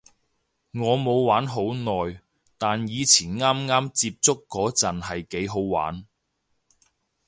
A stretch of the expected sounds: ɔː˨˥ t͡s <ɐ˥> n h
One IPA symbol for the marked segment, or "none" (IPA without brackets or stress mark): ɐ˨